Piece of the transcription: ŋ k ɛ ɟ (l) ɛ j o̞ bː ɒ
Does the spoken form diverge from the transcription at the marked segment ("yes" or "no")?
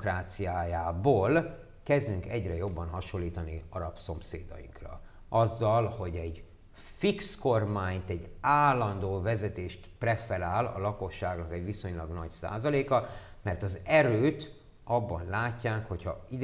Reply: yes